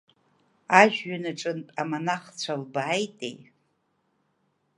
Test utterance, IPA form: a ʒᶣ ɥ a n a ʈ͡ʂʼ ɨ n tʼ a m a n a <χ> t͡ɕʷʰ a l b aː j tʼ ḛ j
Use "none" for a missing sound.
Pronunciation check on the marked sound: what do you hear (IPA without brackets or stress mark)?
χ